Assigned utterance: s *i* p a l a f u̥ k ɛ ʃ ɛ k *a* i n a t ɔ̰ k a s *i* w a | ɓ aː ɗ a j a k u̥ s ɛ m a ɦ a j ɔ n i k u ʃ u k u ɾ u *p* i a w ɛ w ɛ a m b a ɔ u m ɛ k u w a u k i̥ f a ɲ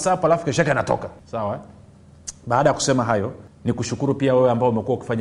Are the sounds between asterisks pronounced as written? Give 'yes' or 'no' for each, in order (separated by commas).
no, yes, no, yes